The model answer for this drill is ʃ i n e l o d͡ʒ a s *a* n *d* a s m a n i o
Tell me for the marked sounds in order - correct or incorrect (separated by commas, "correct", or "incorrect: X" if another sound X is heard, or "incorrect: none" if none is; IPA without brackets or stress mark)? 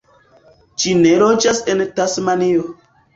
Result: incorrect: e, incorrect: t